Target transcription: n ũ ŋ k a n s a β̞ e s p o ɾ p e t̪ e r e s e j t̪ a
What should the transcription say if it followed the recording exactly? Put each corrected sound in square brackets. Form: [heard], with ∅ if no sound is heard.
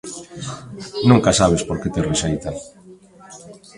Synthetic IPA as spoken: n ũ ŋ k a [∅] s a β̞ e s p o ɾ [k] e t̪ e r e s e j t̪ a